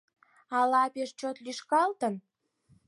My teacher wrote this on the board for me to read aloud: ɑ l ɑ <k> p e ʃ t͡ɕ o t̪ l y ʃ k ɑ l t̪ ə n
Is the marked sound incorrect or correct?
incorrect